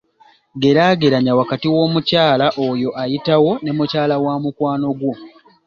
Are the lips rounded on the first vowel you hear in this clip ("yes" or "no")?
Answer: no